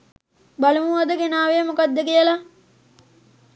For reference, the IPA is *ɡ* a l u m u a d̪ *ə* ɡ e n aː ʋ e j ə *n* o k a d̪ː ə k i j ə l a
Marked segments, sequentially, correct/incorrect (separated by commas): incorrect, correct, incorrect